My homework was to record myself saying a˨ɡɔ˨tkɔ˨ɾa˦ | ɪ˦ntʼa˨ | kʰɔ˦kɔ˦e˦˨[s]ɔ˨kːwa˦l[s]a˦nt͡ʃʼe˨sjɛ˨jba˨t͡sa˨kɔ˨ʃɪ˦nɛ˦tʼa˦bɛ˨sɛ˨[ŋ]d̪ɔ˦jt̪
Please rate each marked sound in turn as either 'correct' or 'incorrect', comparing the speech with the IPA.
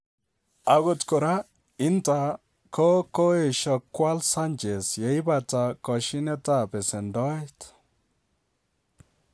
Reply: incorrect: ʃ, correct, incorrect: n

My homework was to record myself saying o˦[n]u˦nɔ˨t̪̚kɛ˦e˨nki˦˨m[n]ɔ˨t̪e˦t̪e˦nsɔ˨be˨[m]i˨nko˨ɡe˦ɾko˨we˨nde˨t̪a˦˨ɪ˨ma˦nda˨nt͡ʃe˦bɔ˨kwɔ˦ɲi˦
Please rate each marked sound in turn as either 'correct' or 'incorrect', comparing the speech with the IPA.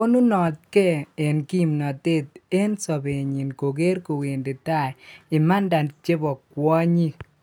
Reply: correct, correct, incorrect: ɲ

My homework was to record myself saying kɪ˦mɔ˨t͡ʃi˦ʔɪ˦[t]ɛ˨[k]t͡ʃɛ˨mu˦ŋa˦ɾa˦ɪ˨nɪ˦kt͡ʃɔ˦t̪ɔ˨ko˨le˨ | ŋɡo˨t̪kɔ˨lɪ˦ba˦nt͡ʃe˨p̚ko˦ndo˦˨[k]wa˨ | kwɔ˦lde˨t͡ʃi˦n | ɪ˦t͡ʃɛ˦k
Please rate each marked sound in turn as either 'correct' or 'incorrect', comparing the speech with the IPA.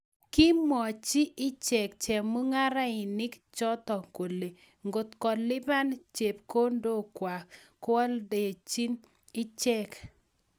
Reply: incorrect: t͡ʃ, correct, correct

